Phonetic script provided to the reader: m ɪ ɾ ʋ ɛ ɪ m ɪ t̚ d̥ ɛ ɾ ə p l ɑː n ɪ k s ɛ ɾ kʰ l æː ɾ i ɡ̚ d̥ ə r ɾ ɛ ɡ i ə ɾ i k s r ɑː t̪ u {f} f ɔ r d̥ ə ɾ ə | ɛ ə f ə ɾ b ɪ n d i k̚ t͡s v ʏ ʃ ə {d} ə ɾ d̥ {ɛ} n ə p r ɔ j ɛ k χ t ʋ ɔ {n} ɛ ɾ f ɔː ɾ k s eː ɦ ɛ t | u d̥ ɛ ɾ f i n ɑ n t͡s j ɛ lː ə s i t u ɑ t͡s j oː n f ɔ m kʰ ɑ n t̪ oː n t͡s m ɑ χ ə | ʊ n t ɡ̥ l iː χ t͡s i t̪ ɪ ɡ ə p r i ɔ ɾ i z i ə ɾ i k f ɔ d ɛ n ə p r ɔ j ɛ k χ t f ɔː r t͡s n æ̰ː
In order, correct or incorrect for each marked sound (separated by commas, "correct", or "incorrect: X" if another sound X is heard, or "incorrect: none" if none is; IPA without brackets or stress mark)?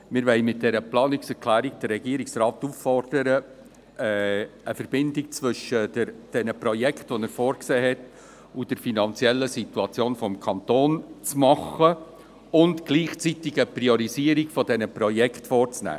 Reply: correct, correct, correct, correct